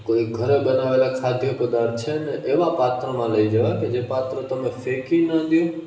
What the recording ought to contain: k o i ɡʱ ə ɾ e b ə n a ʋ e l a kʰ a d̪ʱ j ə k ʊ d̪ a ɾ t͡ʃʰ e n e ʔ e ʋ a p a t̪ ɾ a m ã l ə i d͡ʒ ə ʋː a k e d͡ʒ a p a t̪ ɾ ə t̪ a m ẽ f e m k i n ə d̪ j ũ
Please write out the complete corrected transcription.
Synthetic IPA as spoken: k o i ɡʱ ə ɾ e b ə n a ʋ e l a kʰ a d̪ʱ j ə k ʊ d̪ a ɾ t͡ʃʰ e n e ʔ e ʋ a p a t̪ ɾ ə m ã l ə i d͡ʒ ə ʋ a k e d͡ʒ e p a t̪ ɾ ə t̪ ə m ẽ f e k i n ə d̪ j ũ